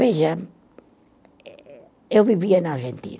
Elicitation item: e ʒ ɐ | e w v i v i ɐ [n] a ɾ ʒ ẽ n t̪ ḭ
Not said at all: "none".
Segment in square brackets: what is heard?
n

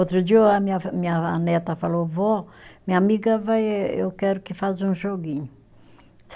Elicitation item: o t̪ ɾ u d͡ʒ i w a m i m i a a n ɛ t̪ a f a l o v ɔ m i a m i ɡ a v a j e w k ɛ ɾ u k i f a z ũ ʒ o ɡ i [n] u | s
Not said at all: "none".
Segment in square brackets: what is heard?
ɲ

